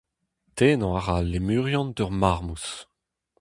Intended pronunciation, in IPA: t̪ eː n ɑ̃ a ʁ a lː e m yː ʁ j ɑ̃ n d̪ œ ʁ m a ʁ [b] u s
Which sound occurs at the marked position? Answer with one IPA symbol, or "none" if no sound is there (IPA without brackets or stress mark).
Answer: m